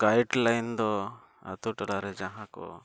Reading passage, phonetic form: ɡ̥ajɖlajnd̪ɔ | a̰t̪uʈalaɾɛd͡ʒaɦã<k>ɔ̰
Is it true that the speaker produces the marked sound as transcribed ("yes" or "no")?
yes